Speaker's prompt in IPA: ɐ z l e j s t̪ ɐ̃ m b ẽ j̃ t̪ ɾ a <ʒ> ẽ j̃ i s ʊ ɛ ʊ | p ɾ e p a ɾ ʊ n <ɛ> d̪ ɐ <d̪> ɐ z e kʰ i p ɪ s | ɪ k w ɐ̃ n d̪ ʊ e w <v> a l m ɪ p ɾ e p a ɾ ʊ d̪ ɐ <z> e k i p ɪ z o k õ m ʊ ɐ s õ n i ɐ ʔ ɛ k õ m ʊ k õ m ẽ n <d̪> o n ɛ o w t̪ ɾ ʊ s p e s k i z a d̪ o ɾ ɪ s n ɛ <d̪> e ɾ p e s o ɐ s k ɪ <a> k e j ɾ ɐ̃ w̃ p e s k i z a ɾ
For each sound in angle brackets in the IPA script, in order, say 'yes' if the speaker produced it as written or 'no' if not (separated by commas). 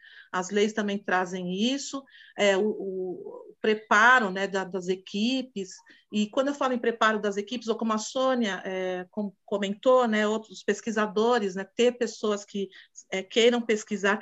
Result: no, yes, yes, no, yes, no, no, no